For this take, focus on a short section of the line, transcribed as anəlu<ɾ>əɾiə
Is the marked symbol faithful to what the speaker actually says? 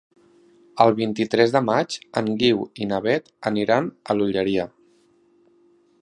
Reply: no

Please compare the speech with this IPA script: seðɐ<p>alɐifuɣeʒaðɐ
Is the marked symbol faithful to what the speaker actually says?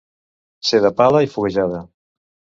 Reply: yes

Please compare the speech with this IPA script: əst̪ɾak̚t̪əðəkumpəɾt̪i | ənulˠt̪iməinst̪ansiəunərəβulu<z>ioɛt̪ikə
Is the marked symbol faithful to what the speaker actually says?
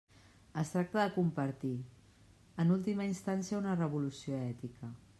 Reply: no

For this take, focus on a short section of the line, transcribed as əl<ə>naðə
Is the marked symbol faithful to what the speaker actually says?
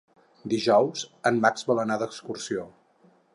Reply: yes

